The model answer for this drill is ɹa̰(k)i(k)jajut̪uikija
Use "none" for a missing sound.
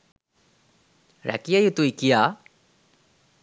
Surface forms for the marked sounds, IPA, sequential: k, none

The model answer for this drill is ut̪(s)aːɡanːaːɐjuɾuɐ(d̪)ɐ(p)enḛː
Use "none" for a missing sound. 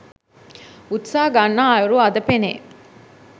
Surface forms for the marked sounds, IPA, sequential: s, d̪, p

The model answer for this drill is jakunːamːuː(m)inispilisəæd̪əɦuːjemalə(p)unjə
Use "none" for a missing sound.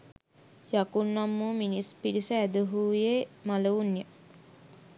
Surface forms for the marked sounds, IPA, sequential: m, none

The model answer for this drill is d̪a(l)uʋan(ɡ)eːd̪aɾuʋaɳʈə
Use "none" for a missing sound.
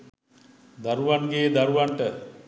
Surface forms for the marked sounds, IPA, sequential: ɾ, ɡ

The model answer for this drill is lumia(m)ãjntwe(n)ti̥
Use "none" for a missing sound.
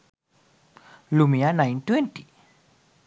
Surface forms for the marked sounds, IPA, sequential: n, n

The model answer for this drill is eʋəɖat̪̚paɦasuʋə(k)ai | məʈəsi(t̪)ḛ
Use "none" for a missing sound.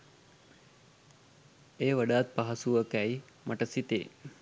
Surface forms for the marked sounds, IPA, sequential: k, t̪

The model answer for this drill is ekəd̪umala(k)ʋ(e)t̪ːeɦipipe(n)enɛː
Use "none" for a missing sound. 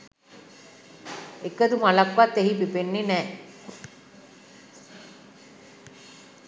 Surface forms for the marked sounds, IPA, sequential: k, a, nː

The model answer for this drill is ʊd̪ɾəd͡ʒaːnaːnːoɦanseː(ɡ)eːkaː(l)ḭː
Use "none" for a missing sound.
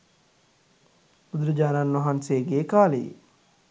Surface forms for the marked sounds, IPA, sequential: ɡ, l

